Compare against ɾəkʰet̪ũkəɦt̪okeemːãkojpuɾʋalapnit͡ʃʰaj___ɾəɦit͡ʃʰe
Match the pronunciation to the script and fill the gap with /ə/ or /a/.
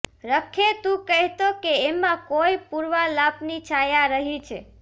a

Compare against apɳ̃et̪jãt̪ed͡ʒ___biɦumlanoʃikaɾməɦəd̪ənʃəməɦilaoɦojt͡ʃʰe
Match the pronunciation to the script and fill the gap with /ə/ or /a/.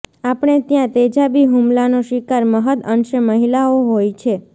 a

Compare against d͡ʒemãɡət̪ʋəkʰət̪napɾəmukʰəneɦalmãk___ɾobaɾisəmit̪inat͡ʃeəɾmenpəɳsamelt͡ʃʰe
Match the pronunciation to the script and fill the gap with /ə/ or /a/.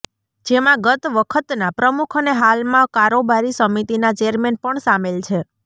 a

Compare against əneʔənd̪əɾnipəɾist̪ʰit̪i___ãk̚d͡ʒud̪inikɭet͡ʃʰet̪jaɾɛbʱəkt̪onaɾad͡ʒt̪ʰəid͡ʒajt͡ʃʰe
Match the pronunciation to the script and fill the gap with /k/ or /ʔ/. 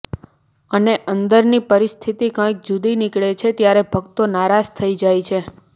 k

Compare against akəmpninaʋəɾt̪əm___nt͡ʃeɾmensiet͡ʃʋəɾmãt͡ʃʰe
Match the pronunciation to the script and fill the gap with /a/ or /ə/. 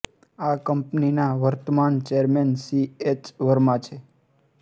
a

